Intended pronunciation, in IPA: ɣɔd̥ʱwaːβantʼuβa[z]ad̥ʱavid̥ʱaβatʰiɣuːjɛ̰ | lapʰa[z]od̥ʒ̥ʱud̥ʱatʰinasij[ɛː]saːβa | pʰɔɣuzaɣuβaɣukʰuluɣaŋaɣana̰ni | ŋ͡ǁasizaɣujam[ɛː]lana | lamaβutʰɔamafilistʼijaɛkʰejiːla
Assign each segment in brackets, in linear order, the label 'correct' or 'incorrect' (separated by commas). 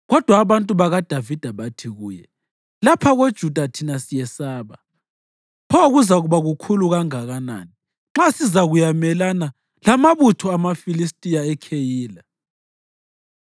incorrect, incorrect, incorrect, incorrect